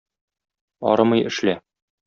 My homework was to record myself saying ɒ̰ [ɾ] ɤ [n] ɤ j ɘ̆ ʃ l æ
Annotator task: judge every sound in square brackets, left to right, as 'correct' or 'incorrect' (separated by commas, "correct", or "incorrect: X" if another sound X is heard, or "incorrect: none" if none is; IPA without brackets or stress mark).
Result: correct, incorrect: m